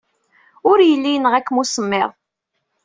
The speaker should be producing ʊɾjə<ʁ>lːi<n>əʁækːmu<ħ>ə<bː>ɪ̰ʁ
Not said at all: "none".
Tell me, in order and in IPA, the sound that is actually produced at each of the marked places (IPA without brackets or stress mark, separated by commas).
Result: none, n, s, mː